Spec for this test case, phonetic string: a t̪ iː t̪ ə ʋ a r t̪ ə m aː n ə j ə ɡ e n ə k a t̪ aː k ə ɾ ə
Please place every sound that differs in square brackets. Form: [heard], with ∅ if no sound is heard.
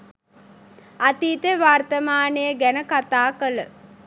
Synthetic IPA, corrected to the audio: a t̪ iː t̪ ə ʋ a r t̪ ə m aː n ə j ə ɡ [æ] n ə k a t̪ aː k ə [l] ə